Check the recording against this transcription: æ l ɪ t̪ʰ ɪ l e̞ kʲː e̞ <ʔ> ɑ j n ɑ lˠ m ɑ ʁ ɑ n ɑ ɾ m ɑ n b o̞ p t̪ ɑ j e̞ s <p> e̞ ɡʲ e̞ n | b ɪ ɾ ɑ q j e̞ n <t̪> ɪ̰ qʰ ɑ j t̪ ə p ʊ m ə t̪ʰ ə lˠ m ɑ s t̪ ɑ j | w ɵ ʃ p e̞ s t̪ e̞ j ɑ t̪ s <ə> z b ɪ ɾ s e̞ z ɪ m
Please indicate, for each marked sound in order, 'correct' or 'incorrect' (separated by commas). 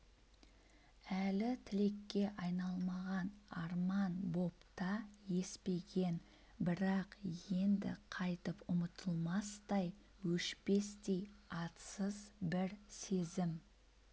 correct, correct, incorrect, correct